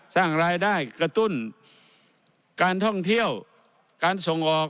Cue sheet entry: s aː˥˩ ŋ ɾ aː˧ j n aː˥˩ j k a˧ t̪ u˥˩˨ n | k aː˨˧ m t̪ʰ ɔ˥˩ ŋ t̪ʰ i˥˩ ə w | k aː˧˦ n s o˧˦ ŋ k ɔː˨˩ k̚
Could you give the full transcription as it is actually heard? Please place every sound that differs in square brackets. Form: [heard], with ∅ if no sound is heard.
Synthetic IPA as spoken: s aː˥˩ ŋ ɾ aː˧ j [d] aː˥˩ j k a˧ t̪ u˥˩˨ n | k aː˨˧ [n] t̪ʰ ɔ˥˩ ŋ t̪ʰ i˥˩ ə w | k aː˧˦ n s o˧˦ ŋ [ʔ] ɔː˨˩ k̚